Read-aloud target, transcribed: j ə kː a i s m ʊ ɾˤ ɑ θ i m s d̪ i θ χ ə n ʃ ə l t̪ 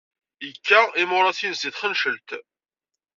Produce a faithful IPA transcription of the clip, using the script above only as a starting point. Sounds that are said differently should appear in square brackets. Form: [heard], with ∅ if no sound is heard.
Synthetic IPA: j ə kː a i [∅] m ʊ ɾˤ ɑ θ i [n] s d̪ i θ χ ə n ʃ ə l t̪